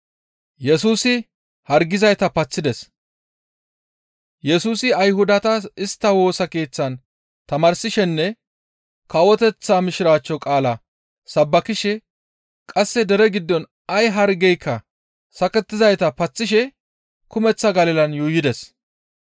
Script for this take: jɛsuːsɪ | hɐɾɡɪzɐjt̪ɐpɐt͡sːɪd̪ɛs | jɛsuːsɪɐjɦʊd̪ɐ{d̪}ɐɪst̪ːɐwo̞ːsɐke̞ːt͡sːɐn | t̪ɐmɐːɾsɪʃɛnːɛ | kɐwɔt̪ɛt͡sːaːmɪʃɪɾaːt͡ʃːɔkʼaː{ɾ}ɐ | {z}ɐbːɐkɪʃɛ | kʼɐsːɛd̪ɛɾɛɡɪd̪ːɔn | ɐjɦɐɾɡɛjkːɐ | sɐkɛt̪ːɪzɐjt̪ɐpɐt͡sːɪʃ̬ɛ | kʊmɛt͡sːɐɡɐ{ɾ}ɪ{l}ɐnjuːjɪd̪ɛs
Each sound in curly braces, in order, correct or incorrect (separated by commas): incorrect, incorrect, incorrect, incorrect, correct